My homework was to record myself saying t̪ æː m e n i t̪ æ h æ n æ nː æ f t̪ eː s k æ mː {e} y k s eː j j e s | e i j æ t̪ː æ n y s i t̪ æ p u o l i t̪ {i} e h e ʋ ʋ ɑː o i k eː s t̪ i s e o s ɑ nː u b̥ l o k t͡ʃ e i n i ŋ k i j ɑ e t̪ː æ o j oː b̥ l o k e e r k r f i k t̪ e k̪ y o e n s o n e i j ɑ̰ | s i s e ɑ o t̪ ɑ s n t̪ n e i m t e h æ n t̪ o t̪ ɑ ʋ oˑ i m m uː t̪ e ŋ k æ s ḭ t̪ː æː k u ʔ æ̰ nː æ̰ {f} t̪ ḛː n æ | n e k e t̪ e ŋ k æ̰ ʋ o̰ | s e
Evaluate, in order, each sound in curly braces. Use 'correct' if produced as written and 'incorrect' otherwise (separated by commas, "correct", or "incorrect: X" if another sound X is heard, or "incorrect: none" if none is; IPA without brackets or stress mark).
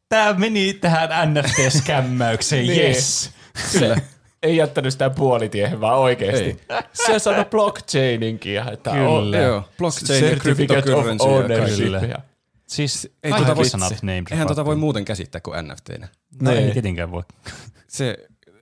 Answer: incorrect: æ, correct, correct